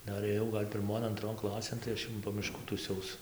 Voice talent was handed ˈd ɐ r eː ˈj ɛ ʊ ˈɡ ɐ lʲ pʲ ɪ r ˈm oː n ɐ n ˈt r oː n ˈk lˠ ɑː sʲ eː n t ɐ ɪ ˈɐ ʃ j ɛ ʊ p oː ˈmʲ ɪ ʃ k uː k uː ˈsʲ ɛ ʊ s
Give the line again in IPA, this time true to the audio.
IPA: ˈd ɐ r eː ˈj ɛ ʊ ˈɡ ɐ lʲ pʲ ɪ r ˈm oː n ɐ n ˈt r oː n ˈk lˠ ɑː sʲ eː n t ɐ ɪ ˈɐ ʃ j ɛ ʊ p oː ˈmʲ ɪ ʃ k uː t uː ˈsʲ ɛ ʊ s